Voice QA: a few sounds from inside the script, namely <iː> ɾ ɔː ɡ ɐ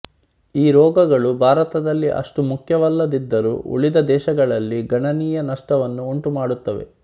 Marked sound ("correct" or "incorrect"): correct